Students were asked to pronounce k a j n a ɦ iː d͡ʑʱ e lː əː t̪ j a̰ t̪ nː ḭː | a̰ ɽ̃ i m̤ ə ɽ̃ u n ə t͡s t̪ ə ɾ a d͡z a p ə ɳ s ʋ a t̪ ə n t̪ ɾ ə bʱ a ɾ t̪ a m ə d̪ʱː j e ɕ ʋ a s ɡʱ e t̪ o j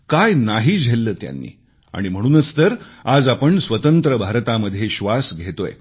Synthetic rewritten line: k a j n a ɦ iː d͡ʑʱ e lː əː t̪ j a̰ nː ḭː | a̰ ɽ̃ i m̤ ə ɽ̃ uː n ə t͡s t̪ ə ɾ a d͡z a p ə ɳ s ʋ ə t̪ ə n t̪ ɾ ə bʱ a ɾ t̪ a m ə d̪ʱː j e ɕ ʋ a s ɡʱ e t̪ o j